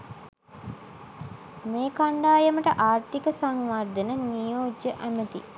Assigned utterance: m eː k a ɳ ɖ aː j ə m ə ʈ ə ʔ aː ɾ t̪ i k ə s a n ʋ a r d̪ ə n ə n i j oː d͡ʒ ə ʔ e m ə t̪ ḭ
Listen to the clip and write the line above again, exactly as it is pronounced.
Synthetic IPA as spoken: m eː k a ɳ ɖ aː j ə m ə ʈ ə ʔ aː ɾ t̪ i k ə s a ŋ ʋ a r d̪ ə n ə n i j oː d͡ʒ ə ʔ æ m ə t̪ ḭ